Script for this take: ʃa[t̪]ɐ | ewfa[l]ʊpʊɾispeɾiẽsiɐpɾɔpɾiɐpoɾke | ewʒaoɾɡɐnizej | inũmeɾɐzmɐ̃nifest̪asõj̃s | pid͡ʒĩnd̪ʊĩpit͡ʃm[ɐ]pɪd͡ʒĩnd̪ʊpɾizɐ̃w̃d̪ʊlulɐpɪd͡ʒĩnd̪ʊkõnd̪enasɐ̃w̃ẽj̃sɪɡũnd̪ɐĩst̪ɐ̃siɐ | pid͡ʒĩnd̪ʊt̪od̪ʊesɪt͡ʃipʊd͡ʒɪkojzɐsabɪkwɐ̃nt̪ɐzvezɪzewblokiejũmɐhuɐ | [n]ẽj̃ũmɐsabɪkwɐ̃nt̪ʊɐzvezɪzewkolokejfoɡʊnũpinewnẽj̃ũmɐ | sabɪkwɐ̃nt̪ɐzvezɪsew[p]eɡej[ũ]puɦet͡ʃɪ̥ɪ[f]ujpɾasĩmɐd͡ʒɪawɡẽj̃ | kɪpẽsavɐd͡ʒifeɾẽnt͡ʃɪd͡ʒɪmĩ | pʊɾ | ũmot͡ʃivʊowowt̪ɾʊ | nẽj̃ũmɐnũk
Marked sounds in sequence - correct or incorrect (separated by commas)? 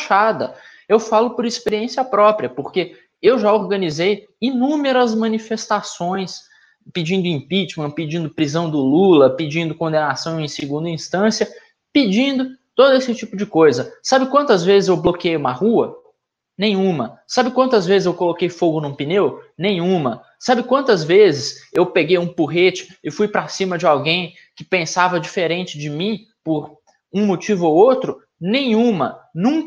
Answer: incorrect, correct, incorrect, correct, correct, correct, correct